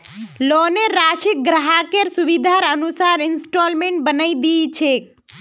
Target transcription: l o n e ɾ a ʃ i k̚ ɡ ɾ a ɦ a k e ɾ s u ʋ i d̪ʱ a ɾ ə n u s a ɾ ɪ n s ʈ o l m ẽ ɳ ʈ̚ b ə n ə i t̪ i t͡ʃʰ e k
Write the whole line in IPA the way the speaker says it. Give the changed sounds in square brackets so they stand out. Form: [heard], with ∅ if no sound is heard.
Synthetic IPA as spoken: l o n e ɾ a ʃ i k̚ ɡ ɾ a ɦ a k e ɾ s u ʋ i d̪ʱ a ɾ ə n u s a ɾ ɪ n s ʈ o l m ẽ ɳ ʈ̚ b ə n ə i [d̪] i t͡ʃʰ e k